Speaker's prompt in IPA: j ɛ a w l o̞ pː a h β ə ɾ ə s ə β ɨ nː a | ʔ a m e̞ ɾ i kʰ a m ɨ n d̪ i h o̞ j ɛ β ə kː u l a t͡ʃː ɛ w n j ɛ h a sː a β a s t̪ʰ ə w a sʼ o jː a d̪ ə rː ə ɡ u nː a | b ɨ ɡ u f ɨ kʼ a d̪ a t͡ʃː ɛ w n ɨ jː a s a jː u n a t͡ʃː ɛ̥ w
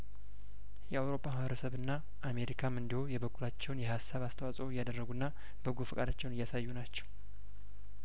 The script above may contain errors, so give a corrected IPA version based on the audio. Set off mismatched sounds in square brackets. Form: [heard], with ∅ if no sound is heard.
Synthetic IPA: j ɛ a w [ɾ] o̞ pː a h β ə ɾ ə s ə β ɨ nː a | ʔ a m e̞ ɾ i kʰ a m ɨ n d̪ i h o̞ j ɛ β ə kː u l a t͡ʃː ɛ w n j ɛ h a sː a β a s t̪ʰ ə w a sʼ o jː a d̪ ə rː ə ɡ u nː a | b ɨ ɡ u f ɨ kʼ a d̪ a t͡ʃː ɛ w n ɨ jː a s a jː u n a t͡ʃː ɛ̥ w